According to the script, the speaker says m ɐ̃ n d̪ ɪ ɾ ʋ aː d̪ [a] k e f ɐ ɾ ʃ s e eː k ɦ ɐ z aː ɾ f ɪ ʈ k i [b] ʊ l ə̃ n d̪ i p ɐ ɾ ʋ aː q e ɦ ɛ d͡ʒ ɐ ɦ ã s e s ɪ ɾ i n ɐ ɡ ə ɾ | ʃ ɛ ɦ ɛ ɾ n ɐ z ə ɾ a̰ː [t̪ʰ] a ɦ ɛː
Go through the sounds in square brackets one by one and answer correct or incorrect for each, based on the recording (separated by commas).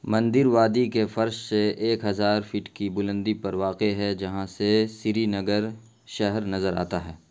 incorrect, correct, incorrect